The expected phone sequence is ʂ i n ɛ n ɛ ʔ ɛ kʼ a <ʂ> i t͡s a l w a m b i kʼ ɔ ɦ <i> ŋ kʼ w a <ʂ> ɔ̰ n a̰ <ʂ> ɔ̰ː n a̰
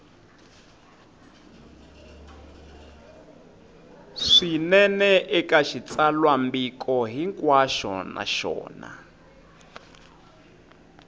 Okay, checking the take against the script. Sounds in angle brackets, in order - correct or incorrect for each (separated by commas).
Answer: incorrect, correct, incorrect, incorrect